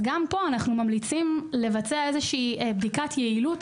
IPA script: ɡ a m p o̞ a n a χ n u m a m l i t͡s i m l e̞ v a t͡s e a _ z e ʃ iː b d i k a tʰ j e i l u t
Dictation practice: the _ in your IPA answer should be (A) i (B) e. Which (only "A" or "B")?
B